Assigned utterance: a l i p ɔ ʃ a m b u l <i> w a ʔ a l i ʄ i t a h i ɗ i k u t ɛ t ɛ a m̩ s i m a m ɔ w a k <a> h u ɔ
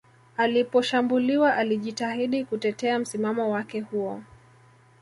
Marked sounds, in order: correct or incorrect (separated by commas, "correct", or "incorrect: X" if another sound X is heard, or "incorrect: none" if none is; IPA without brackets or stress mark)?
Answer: correct, incorrect: ɛ